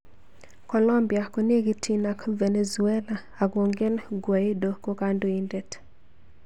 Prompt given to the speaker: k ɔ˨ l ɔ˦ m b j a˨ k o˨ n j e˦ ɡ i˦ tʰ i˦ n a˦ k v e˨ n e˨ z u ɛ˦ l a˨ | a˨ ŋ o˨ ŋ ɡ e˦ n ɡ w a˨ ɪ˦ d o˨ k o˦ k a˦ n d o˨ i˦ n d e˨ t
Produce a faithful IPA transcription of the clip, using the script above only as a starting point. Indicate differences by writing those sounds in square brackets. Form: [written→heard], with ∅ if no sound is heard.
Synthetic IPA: k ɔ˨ l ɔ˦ m b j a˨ k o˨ n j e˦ ɡ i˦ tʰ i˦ n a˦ k v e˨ n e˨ z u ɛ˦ l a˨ | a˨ [ŋ→ɡ] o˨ ŋ ɡ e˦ n ɡ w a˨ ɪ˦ d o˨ k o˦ k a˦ n d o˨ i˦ n d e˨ t